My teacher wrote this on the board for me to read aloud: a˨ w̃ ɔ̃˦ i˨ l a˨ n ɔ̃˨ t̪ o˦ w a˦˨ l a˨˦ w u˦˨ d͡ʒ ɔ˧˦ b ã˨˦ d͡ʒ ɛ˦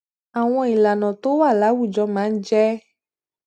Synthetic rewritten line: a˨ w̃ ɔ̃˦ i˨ l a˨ n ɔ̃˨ t̪ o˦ w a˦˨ l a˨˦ w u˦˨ d͡ʒ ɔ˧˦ m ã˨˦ d͡ʒ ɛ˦